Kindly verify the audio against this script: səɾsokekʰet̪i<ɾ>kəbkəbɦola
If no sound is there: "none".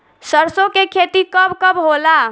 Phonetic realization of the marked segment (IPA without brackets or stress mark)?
none